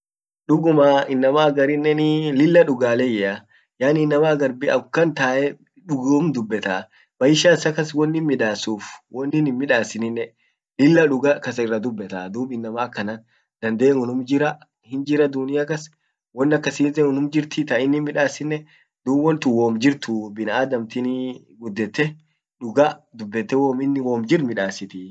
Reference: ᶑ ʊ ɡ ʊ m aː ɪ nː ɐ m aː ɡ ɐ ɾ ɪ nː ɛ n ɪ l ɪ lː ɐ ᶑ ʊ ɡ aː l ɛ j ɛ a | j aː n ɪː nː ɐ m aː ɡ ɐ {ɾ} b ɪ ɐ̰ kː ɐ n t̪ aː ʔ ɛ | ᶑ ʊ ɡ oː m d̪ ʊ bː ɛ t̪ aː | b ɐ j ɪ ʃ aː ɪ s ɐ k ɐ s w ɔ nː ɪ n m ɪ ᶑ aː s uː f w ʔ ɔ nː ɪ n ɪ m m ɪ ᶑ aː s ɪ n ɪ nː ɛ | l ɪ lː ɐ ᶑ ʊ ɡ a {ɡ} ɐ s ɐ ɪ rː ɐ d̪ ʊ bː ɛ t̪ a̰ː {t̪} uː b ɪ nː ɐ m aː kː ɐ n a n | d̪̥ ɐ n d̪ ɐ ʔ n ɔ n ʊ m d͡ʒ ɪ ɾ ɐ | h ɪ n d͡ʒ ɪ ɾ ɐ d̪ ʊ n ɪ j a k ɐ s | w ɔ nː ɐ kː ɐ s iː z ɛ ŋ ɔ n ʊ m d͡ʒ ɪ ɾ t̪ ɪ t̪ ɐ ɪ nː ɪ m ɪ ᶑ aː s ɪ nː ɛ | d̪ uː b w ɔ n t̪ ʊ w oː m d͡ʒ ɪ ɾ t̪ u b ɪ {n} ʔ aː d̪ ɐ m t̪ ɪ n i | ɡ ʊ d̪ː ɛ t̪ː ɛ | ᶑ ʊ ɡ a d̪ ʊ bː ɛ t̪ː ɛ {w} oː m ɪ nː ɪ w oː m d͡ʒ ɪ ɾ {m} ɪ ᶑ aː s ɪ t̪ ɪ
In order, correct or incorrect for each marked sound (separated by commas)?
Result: correct, incorrect, incorrect, correct, correct, correct